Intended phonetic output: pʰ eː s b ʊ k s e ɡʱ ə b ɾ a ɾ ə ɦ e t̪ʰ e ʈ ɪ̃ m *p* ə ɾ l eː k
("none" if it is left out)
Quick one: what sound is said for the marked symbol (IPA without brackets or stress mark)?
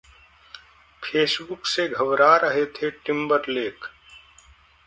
b